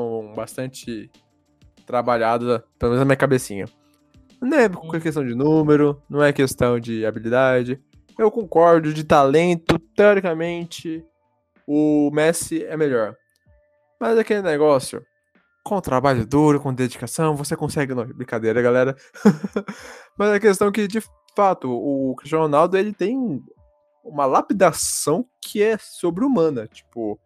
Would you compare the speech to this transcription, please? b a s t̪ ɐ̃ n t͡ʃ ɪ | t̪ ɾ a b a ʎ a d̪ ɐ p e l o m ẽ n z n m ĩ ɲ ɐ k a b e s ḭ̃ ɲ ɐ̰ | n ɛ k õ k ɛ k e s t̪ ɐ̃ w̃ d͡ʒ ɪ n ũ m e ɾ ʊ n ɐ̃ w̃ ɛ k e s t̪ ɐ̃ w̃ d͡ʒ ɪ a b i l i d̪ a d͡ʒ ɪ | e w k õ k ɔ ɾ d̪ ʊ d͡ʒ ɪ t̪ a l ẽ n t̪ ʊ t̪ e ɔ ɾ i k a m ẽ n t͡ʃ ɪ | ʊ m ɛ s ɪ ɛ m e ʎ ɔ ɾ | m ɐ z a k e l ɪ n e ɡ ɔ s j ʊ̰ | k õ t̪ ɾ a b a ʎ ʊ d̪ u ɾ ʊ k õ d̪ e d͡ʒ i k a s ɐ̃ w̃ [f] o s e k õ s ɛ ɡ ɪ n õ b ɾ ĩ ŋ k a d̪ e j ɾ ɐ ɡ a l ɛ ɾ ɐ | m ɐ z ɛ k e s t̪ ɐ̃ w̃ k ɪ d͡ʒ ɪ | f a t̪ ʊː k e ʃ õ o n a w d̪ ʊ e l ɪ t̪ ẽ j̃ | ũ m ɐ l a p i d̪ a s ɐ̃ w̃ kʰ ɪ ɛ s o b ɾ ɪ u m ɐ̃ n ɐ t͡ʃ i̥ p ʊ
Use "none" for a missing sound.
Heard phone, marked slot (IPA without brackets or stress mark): v